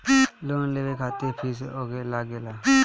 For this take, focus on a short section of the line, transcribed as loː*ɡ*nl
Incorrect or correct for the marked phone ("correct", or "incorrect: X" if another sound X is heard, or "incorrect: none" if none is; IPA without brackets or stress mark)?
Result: incorrect: none